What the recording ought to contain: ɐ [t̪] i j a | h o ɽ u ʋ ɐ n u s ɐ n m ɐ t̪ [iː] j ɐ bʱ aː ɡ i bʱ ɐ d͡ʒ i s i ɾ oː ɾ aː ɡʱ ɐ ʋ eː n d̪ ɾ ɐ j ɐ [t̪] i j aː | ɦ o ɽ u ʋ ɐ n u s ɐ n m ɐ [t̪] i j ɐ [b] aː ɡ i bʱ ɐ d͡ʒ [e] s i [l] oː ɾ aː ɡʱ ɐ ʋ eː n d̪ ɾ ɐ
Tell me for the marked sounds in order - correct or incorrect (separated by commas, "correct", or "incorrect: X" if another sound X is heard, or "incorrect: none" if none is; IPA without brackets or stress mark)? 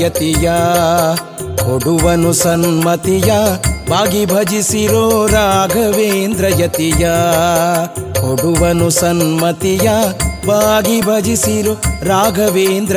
correct, incorrect: i, correct, correct, correct, incorrect: i, incorrect: ɾ